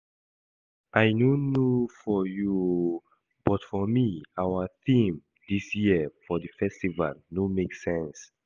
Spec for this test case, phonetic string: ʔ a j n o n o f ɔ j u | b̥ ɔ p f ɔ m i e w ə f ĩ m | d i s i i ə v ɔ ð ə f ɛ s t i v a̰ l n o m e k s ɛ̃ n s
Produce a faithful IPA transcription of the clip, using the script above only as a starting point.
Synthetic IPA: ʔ a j n o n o f ɔ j u | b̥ ɔ t f ɔ m i a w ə θ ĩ m | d i s j i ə f ɔ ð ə f ɛ s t i v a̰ l n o m e k s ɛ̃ n s